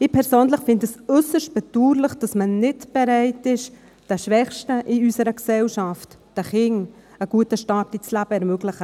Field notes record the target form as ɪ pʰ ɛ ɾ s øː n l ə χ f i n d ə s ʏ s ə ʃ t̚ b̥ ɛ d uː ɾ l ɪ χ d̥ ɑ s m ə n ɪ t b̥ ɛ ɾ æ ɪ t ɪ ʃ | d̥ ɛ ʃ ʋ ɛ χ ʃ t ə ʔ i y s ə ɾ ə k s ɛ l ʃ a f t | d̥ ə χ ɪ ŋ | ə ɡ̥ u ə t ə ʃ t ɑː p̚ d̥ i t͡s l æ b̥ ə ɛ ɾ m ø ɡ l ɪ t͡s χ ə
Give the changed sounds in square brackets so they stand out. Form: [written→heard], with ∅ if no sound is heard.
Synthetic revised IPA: ɪ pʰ ɛ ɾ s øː n l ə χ f [i→ɪ] n d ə s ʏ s ə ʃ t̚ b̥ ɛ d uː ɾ l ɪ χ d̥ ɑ s m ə n ɪ t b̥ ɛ ɾ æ ɪ t ɪ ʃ | d̥ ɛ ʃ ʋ ɛ χ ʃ t ə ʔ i y s ə ɾ ə k s ɛ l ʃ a f t | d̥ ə χ ɪ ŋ | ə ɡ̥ u ə t ə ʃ t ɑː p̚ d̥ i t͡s l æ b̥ ə ɛ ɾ m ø ɡ l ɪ [t͡s→∅] χ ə

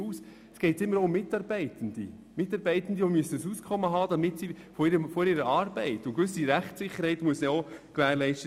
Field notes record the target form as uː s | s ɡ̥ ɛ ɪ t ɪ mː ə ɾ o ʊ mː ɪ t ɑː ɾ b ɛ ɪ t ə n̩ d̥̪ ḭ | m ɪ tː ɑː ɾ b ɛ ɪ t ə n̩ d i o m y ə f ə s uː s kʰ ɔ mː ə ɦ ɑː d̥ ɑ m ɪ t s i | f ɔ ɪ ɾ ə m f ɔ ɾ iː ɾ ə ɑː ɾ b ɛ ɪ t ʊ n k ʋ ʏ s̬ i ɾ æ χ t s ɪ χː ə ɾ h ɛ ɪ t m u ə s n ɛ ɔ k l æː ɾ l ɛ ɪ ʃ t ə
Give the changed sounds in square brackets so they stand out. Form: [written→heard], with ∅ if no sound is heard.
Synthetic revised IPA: uː s | s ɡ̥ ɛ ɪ t ɪ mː ə ɾ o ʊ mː ɪ t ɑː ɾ b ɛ ɪ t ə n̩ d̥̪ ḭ | m ɪ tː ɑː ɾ b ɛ ɪ t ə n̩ d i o m y ə [f→s] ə s uː s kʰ ɔ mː ə ɦ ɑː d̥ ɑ m ɪ t s i | f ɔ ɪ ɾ ə m f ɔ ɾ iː ɾ ə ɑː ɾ b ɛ ɪ t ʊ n k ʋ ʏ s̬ i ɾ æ χ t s ɪ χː ə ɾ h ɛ ɪ t m u ə s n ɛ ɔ k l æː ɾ l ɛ ɪ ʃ t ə

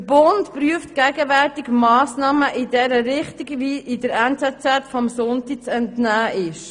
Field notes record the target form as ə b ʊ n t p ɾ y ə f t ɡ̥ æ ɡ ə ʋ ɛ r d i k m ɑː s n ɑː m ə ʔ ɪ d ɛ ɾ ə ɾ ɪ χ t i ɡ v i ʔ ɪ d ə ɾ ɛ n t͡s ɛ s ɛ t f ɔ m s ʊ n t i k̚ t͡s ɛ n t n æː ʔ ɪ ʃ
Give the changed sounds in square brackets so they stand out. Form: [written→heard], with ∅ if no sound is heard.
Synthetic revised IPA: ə b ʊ n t p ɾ y ə f t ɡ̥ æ ɡ ə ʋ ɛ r [d→t] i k m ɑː s n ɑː m ə ʔ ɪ d ɛ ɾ ə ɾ ɪ χ t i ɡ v i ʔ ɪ d ə ɾ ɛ n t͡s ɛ [s→t͡s] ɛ t f ɔ m s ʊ n t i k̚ t͡s ɛ n t n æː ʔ ɪ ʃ

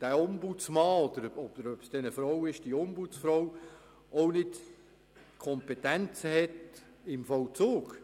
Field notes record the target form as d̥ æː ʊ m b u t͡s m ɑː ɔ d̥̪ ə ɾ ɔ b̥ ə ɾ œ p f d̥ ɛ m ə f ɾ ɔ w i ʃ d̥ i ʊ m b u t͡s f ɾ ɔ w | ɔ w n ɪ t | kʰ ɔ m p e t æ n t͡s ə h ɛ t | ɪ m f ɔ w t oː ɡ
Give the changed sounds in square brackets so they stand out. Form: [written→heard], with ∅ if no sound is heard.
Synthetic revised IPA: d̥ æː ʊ m b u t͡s m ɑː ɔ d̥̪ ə ɾ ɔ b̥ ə ɾ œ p [f→s] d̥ ɛ [m→n] ə f ɾ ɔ w [i→ɪ] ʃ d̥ i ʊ m b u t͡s f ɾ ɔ w | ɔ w n ɪ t | kʰ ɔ m p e t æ n t͡s ə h ɛ t | ɪ m f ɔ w [t→t͡s] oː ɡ

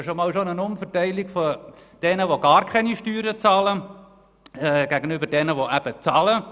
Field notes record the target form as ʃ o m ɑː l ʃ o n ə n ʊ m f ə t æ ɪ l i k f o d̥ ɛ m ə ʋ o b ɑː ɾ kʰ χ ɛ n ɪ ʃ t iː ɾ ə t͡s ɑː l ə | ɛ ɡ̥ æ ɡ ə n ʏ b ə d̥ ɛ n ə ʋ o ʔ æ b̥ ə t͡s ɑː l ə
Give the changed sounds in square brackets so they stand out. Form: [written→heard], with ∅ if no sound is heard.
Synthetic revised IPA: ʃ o m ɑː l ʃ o n ə n ʊ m f ə t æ ɪ l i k f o d̥ ɛ [m→n] ə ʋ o [b→ɡ] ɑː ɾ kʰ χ ɛ n [ɪ→i] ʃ t [iː→yː] ɾ ə t͡s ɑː l ə | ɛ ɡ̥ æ ɡ ə n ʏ b ə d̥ ɛ n ə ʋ o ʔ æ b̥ ə t͡s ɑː l ə

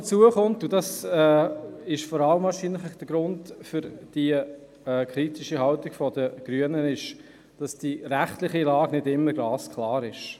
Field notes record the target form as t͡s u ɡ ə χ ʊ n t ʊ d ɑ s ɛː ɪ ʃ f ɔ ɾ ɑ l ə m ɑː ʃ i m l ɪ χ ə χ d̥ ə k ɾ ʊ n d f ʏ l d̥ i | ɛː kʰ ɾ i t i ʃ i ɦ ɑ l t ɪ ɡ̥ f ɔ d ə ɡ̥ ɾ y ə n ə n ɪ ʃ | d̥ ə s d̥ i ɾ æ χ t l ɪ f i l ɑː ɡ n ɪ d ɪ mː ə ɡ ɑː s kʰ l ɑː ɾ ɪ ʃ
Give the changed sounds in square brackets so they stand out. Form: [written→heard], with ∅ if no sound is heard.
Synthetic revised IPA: t͡s u [ɡ→∅] ə χ ʊ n t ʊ d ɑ s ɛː ɪ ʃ f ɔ ɾ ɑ l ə m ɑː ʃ i [m→n] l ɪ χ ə χ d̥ ə [k→ɡ] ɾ ʊ n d f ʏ [l→ɾ] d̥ i | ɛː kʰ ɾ i t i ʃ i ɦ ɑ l t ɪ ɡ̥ f ɔ d ə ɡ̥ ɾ y ə n ə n ɪ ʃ | d̥ [ə→ɑ] s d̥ i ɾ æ χ t l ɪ [f→χ] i l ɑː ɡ n ɪ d ɪ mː ə ɡ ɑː s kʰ l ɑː ɾ ɪ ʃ

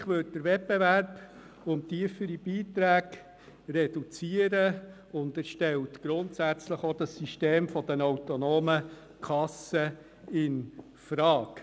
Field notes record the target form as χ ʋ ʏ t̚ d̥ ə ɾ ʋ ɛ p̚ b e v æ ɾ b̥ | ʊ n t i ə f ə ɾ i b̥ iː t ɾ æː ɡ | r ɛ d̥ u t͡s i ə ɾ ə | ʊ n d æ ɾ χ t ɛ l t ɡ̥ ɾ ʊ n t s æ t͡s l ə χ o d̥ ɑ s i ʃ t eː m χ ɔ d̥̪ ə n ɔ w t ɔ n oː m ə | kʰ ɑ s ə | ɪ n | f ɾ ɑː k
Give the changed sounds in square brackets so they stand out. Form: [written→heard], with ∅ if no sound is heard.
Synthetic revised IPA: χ ʋ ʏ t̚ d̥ ə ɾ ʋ ɛ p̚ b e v æ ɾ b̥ | ʊ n t i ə f ə ɾ i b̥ iː t ɾ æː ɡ | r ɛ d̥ u t͡s i ə ɾ ə | ʊ n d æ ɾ [χ→ʃ] t ɛ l t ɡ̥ ɾ ʊ n t s æ t͡s l ə χ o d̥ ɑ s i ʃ t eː m [χ→f] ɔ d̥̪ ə n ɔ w t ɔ n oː m ə | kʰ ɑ s ə | ɪ n | f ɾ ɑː k

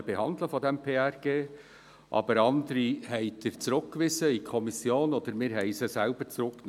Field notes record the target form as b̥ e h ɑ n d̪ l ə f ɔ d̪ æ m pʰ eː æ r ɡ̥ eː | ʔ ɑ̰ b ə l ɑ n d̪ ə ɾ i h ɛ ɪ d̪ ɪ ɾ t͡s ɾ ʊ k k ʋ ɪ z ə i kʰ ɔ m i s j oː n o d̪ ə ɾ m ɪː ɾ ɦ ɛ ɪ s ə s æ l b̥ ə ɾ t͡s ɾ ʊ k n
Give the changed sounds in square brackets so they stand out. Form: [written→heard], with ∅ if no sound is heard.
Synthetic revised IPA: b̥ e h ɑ n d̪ l ə f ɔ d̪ [æ→ɛ] m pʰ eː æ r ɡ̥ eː | ʔ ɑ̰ b ə [l→ɾ] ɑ n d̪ ə ɾ i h ɛ ɪ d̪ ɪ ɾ t͡s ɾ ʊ k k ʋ ɪ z ə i kʰ ɔ m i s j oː n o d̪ ə ɾ m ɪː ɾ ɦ ɛ ɪ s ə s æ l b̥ ə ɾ t͡s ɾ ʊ k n

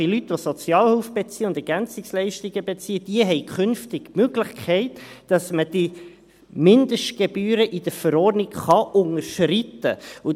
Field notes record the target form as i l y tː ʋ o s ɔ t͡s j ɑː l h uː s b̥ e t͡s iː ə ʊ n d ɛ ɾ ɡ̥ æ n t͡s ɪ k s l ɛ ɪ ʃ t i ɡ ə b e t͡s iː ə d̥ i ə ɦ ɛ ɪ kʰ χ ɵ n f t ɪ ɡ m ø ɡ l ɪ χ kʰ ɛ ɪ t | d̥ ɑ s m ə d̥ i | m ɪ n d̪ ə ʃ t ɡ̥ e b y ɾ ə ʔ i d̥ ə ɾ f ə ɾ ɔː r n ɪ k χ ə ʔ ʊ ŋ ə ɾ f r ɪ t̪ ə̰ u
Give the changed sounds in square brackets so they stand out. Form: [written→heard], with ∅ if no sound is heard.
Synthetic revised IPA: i l y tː ʋ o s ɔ t͡s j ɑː l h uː [s→f] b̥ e t͡s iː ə ʊ n d ɛ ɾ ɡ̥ æ n t͡s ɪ k s l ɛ ɪ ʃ t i ɡ ə b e t͡s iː ə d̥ i ə ɦ ɛ ɪ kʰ χ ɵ n f t ɪ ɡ m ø ɡ l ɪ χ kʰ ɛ ɪ t | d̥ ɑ s m ə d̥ i | m ɪ n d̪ ə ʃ t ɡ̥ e b [y→yː] ɾ ə ʔ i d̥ ə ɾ f ə ɾ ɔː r n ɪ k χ [ə→ɑ] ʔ ʊ ŋ ə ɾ [f→ʃ] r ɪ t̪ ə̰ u

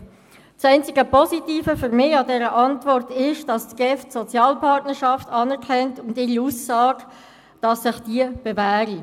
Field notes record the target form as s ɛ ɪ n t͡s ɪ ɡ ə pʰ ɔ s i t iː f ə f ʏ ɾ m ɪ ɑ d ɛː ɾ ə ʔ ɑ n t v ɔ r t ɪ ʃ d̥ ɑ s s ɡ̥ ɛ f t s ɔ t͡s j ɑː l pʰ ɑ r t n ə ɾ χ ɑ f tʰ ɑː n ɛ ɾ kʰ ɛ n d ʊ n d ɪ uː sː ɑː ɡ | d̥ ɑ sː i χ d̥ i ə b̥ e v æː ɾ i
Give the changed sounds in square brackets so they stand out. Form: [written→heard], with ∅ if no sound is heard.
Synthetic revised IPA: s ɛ ɪ n t͡s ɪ ɡ ə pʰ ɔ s i t iː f ə f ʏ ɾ m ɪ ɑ d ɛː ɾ ə ʔ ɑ n t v ɔ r t ɪ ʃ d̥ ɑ s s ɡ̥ ɛ f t s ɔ t͡s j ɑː l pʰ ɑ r t n ə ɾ [χ→ʃ] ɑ f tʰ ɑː n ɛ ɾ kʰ ɛ n [d→t] ʊ n d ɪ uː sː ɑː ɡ | d̥ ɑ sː [i→ɪ] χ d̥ i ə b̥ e v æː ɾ i

